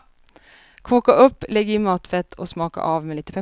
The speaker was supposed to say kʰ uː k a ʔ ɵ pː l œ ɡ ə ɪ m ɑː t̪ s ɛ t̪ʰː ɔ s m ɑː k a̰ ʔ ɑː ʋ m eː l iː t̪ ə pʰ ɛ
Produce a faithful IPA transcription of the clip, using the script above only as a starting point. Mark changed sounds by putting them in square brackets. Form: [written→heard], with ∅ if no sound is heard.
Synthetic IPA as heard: kʰ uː k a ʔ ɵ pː l [œ→ɛ] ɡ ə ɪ m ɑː t̪ [s→f] ɛ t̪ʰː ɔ s m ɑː k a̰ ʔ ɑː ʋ m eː l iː t̪ ə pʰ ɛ